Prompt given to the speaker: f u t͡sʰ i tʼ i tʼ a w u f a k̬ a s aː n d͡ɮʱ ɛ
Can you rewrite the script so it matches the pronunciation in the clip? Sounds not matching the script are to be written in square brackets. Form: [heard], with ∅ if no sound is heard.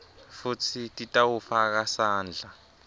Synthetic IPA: f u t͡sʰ i tʼ i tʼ a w u f a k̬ a s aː n d͡ɮʱ [a]